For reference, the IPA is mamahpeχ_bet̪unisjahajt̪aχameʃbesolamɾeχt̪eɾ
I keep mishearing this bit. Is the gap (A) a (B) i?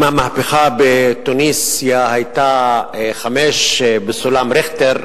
A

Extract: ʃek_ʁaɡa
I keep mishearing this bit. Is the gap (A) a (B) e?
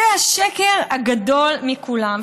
B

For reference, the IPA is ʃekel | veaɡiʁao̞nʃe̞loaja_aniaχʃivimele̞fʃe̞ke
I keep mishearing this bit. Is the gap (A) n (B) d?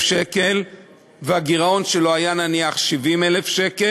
A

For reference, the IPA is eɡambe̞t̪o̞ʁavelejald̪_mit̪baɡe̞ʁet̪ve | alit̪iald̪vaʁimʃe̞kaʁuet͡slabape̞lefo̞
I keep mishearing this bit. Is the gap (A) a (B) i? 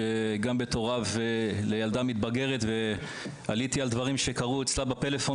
A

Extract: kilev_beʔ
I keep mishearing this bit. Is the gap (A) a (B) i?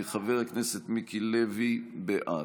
B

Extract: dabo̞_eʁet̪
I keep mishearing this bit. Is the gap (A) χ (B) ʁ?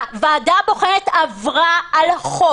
A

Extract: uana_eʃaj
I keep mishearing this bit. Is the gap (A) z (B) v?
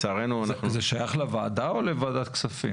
A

